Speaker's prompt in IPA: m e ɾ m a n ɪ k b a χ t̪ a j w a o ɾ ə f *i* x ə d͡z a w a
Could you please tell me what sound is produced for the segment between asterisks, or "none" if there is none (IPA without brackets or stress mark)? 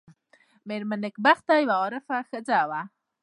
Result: a